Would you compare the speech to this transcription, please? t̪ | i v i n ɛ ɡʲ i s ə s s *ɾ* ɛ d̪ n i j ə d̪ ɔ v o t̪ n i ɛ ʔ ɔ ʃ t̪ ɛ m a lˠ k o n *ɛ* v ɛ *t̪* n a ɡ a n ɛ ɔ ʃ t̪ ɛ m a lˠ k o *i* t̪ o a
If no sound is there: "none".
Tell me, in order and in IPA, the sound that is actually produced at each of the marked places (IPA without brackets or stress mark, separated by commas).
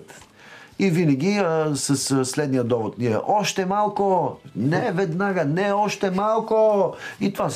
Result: l, ɛ, d̪, i